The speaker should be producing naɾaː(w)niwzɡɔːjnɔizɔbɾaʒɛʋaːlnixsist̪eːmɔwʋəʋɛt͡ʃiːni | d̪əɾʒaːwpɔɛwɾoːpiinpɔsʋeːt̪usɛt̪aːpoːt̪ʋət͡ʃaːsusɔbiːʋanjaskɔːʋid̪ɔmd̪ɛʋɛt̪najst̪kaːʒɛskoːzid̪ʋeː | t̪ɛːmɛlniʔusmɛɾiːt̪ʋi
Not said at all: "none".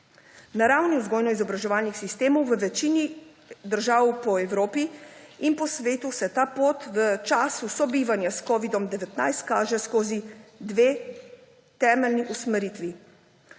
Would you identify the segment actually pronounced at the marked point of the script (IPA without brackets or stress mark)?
w